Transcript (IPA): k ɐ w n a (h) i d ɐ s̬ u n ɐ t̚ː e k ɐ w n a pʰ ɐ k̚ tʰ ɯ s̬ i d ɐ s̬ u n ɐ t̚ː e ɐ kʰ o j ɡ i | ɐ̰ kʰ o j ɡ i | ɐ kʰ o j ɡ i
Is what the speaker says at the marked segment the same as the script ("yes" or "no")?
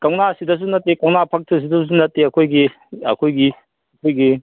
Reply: no